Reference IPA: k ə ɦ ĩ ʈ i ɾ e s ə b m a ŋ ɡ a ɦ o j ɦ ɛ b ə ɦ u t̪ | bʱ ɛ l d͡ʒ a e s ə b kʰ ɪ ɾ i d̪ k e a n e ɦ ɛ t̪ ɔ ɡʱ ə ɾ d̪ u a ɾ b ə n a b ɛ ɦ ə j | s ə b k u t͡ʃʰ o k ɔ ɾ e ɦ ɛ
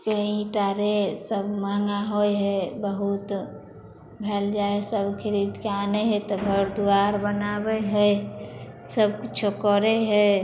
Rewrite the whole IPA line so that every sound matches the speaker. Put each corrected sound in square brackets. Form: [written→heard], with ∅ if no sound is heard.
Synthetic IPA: k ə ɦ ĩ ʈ [i→a] ɾ e s ə b m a ŋ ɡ a ɦ o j ɦ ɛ b ə ɦ u t̪ | bʱ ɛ l d͡ʒ a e s ə b kʰ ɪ ɾ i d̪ k e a n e ɦ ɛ t̪ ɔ ɡʱ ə ɾ d̪ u a ɾ b ə n a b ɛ ɦ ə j | s ə b k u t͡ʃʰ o k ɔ ɾ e ɦ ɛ